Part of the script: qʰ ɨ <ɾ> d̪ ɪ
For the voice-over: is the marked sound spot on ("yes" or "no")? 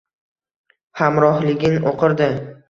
yes